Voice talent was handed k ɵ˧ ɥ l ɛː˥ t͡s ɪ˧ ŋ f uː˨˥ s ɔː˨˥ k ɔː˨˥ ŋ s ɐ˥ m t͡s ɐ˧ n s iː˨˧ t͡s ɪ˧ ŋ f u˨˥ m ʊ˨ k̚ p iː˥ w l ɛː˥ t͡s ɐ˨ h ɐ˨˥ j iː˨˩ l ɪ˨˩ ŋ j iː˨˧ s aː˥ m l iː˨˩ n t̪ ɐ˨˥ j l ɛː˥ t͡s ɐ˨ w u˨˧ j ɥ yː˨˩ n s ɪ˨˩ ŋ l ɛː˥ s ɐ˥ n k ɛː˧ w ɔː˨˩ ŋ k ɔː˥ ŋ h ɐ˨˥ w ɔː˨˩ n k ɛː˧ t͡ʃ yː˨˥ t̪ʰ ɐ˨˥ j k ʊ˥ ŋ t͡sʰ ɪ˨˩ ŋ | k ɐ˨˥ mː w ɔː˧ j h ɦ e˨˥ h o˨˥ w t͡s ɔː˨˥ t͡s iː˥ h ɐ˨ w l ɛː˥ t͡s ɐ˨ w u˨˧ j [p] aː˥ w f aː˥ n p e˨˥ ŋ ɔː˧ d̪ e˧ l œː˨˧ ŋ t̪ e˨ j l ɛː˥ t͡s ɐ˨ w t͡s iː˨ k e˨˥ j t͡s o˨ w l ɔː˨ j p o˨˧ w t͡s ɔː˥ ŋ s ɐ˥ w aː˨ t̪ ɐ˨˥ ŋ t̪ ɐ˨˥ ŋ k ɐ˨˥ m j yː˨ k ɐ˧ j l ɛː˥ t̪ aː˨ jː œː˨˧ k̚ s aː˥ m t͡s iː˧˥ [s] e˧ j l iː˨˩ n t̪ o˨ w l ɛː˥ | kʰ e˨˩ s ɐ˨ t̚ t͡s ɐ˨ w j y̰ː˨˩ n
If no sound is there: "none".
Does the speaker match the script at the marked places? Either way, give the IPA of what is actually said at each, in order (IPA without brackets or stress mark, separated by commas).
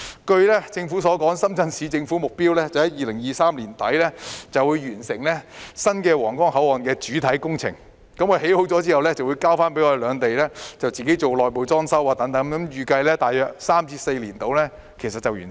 k, s